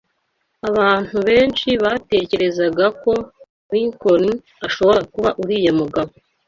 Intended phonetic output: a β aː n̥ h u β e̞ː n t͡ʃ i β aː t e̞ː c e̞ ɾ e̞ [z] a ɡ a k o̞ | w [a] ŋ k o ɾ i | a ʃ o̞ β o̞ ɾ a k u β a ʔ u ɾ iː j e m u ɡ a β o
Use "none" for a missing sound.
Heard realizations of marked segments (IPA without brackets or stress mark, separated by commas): z, i